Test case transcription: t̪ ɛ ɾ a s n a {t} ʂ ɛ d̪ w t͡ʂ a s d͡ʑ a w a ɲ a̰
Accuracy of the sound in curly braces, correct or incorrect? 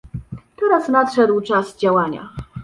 correct